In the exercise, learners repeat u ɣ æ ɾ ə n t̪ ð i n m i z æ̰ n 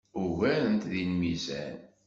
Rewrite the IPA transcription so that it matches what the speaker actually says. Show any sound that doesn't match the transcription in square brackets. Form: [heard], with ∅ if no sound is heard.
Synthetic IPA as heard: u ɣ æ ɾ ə n t̪ ð i n m i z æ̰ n